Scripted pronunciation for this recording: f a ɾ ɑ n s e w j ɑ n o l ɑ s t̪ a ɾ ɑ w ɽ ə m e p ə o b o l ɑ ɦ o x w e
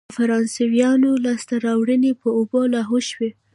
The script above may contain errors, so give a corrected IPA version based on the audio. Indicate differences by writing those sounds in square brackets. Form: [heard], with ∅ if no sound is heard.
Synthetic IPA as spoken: f a ɾ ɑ n s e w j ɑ n o l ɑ s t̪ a ɾ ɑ w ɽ ə [n] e p ə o b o l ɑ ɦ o [ʃ] w e

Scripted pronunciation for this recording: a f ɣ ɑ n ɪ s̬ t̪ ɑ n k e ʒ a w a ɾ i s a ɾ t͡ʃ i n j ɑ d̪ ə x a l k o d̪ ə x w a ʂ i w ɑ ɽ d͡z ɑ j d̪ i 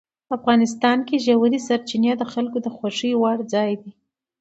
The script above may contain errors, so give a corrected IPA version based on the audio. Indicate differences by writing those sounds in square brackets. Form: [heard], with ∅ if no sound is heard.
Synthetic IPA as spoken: a f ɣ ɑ n ɪ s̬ t̪ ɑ n k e ʒ a w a ɾ i s a ɾ t͡ʃ i n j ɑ d̪ ə x a l k o d̪ ə x w a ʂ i w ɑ ɽ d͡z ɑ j d̪ i

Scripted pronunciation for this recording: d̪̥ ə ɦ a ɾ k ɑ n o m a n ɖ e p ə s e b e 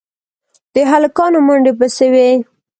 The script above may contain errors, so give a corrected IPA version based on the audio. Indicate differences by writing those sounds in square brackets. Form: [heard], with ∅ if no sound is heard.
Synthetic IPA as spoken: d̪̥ ə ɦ a [l] k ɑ n o m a [ɳ] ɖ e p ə s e [w] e

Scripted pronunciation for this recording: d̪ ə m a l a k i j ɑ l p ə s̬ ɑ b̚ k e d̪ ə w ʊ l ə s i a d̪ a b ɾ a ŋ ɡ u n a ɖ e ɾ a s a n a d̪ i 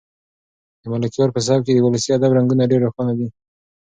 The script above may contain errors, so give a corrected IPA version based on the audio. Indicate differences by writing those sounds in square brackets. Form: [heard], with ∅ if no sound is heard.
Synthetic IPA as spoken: d̪ ə m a l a k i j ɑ [ɾ] p ə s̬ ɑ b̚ k e d̪ ə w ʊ l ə s i a d̪ a b ɾ a ŋ ɡ u n a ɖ e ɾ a [x] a n a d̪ i

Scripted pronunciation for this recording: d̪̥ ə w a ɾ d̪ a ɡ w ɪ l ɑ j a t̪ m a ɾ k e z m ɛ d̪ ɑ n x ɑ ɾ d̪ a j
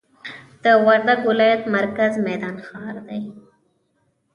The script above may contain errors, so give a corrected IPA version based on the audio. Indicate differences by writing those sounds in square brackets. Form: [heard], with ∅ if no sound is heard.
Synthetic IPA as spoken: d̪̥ ə w a ɾ d̪ a ɡ w ɪ l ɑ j a t̪ m a ɾ k [a] z m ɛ d̪ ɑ n x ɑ ɾ d̪ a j

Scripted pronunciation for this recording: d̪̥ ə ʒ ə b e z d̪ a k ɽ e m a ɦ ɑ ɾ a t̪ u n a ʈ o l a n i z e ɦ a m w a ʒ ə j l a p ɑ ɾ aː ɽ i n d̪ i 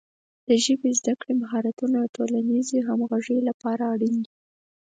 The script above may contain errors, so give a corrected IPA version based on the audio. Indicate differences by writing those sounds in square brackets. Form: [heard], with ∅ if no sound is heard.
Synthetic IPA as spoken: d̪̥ ə ʒ ə b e z d̪ a k ɽ e m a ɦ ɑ ɾ a t̪ u n a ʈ o l a n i z e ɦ a m [ɣ] a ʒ ə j l a p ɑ ɾ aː ɽ i n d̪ i

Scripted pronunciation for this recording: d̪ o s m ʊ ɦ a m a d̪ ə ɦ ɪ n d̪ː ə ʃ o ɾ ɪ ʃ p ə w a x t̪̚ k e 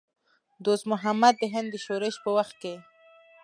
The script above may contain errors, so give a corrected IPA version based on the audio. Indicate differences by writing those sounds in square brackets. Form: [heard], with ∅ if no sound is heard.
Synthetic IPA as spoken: d̪ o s m ʊ ɦ a m a [d̪ː] ə ɦ ɪ n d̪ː ə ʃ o ɾ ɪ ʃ p ə w a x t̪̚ k e

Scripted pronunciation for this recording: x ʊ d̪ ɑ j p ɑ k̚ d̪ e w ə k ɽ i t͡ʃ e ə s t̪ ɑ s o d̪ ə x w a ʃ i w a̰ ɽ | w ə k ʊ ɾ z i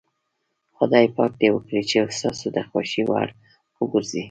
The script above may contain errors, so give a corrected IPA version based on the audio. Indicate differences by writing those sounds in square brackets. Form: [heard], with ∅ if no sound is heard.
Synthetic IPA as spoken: x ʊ d̪ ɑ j p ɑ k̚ d̪ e w ə k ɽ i t͡ʃ e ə s t̪ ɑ s o d̪ ə x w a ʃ i w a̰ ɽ | w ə [ɡ] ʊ ɾ z i

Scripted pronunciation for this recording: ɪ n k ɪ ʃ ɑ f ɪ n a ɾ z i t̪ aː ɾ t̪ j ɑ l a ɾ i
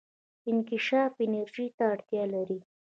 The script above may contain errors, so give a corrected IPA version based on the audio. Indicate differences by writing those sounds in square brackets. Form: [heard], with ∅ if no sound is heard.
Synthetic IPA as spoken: ɪ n k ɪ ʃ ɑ f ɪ n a ɾ [ʒ] i t̪ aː [ɽ] t̪ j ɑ l a ɾ i

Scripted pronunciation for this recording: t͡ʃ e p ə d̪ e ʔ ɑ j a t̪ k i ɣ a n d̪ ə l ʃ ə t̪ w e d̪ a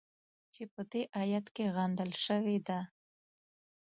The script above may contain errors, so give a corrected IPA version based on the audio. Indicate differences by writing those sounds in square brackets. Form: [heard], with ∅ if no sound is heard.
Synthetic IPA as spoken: t͡ʃ e p ə d̪ e ʔ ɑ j a t̪ k [e] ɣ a n d̪ ə l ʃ ə [∅] w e d̪ a

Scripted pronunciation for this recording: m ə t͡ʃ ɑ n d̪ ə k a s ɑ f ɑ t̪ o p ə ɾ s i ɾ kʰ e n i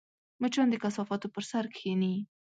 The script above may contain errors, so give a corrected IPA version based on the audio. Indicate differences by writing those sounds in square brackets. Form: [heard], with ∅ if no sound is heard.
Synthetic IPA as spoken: m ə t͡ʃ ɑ n d̪ ə k a s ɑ f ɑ t̪ o p ə ɾ s [a] ɾ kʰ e n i

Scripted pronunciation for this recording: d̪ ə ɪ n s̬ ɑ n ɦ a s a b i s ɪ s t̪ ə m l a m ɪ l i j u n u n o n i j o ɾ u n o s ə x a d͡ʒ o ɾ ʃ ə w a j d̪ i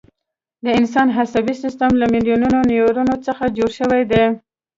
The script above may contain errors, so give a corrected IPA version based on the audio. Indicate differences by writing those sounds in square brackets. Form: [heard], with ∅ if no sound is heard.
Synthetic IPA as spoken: d̪ ə ɪ n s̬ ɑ n ɦ a s a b i s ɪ s t̪ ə m l a m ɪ l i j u n u n o n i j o ɾ u n o [t͡s] ə x a d͡ʒ o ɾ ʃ ə w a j d̪ [e]

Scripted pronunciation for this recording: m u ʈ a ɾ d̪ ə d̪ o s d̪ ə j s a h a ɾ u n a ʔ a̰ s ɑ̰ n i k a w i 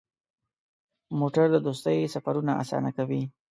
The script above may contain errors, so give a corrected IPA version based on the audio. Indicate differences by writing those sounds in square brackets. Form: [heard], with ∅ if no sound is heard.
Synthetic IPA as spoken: m [o] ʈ a ɾ d̪ ə d̪ o s [t̪] ə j s a [f] a ɾ u n a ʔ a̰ s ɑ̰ n [a] k a w i

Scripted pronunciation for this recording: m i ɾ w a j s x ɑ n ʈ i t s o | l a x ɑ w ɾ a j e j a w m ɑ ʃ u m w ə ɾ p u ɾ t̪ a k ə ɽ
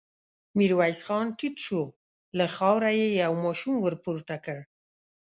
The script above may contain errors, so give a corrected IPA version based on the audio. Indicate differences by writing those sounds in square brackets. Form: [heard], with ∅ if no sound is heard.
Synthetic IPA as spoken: m i ɾ w a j s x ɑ n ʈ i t [ʃ] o | l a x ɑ w ɾ a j e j a w m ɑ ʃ u m w ə ɾ p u ɾ t̪ a k ə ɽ

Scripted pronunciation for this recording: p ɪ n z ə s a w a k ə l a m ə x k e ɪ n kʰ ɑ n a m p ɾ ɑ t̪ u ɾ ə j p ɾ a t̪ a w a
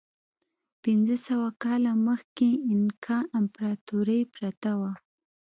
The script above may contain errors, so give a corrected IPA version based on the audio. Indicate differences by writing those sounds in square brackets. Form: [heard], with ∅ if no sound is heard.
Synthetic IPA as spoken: p ɪ n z ə s a w a k [ɑ] l a m ə x k e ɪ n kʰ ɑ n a m p ɾ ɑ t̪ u ɾ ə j p ɾ a t̪ a w a

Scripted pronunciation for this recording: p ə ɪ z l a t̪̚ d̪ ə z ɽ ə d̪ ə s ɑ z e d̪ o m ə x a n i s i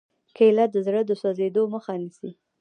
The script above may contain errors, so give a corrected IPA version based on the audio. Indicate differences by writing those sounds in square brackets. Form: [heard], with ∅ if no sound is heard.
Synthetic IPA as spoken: [k] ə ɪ [∅] l a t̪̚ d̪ ə z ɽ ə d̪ ə s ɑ z e d̪ o m ə x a n i s i

